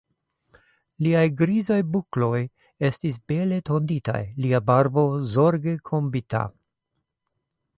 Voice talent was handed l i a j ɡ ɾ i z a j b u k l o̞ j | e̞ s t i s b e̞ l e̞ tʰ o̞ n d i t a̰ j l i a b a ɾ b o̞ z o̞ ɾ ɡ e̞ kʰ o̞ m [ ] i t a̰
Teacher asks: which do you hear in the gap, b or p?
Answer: b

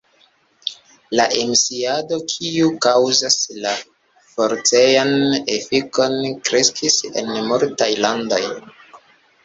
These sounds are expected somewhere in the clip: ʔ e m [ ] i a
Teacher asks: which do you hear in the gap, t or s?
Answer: s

